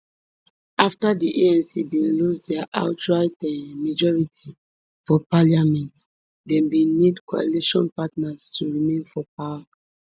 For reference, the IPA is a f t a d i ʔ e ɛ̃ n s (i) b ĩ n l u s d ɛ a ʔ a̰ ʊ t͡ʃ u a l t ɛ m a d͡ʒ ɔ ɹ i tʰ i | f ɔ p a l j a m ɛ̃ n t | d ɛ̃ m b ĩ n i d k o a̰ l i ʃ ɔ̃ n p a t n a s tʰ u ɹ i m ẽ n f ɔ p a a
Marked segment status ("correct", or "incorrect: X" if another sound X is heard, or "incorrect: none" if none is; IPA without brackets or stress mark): correct